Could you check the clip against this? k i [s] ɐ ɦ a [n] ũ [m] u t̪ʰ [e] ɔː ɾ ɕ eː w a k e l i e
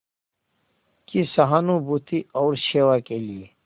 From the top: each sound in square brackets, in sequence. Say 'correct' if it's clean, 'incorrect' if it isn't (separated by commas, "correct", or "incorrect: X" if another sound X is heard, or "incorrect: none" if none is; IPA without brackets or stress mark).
correct, correct, incorrect: b, incorrect: i